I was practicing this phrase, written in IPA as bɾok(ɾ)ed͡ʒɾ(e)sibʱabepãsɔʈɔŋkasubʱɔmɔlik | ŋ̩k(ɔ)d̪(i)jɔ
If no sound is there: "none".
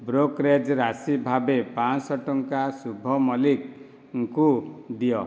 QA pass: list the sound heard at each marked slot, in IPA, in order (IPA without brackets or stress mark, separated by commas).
ɾ, a, u, i